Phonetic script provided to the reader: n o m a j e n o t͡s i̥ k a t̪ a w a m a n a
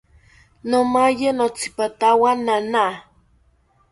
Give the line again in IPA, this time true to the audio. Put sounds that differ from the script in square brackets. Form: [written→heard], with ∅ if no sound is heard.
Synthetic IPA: n o m a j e n o t͡s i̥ [k→p] a t̪ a w a [m→n] a n a